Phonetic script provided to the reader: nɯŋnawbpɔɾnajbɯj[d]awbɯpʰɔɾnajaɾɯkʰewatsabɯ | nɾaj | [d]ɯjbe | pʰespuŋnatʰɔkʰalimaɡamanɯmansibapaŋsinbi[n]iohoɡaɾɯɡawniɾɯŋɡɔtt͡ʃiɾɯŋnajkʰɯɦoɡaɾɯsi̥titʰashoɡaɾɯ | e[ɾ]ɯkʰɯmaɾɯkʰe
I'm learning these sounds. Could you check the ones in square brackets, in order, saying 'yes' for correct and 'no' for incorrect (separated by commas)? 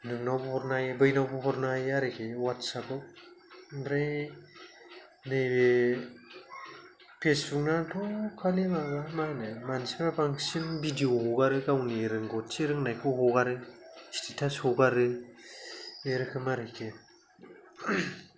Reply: no, no, no, yes